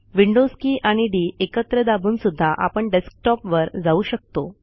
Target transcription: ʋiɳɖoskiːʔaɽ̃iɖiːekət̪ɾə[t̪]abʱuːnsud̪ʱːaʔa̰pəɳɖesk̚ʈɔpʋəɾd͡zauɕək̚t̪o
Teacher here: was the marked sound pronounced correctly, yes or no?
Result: no